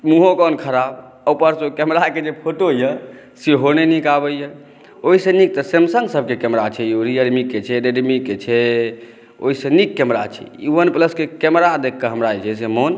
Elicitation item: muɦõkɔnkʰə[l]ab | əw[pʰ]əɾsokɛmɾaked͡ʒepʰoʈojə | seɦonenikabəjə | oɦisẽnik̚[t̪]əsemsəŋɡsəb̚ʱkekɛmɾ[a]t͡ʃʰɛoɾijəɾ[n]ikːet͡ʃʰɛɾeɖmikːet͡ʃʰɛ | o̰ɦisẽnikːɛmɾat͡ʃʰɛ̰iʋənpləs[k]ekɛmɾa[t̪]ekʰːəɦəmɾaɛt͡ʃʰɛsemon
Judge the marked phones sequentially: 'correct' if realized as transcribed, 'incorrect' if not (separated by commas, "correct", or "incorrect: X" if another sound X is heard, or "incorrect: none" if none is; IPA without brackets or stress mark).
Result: incorrect: ɾ, incorrect: p, correct, correct, incorrect: m, correct, incorrect: d̪